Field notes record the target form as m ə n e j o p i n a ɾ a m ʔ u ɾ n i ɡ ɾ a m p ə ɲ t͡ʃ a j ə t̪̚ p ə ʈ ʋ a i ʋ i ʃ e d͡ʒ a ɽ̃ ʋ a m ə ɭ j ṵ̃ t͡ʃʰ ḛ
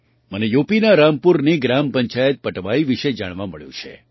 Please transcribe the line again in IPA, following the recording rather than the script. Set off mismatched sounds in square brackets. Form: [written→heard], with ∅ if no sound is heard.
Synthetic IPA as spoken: m ə n e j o p i n a ɾ a m [ʔ→p] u ɾ n i ɡ ɾ a m p ə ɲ t͡ʃ a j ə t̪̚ p ə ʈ ʋ a i ʋ i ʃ e d͡ʒ a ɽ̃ ʋ a m ə ɭ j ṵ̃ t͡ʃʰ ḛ